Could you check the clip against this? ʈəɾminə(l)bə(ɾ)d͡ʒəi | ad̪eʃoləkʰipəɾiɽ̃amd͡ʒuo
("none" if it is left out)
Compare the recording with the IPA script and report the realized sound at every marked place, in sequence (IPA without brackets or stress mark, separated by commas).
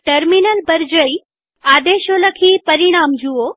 l, ɾ